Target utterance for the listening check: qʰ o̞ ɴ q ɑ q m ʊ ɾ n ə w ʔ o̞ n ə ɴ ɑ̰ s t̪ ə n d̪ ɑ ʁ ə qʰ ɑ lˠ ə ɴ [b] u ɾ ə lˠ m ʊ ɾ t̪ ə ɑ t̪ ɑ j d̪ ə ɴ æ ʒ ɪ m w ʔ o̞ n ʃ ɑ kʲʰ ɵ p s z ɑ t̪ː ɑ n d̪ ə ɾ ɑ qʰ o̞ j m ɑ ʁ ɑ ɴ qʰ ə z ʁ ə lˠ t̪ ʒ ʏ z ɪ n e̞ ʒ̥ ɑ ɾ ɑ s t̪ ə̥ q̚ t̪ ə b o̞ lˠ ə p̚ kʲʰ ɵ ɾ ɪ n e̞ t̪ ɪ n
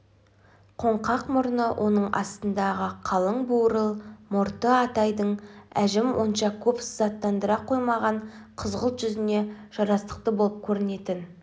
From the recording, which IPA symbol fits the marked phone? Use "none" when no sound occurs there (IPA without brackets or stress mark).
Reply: b